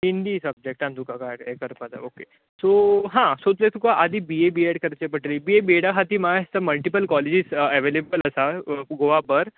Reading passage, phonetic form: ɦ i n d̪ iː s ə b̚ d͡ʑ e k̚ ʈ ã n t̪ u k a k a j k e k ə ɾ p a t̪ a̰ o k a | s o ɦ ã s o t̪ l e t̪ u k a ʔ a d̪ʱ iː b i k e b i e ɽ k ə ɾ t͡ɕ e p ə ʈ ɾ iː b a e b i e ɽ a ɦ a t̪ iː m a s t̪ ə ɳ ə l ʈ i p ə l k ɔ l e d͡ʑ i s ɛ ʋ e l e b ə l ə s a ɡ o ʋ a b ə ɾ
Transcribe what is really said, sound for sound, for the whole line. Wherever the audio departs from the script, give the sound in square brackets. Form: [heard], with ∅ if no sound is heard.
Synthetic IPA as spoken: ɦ i n d̪ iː s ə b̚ d͡ʑ e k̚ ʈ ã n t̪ u k a k a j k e k ə ɾ p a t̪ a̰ o k [e] | s o ɦ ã s o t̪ l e t̪ u k a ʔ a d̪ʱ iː b i [∅] e b i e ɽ k ə ɾ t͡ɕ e p ə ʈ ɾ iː b [i] e b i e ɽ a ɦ a t̪ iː m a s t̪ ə [m] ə l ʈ i p ə l k ɔ l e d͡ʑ i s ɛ ʋ e l e b ə l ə s a ɡ o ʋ a b ə ɾ